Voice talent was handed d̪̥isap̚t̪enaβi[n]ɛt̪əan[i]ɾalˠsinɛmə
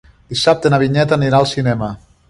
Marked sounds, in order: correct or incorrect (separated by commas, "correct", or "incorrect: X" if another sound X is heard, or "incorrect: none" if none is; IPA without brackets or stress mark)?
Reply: incorrect: ɲ, correct